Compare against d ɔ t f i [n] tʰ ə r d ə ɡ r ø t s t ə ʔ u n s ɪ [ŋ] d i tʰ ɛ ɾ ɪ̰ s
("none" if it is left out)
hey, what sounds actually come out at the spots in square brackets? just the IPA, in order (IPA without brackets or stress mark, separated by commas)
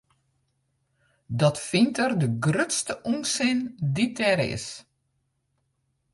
n, n